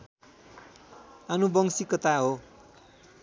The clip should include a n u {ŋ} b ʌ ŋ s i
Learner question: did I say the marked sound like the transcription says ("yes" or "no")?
no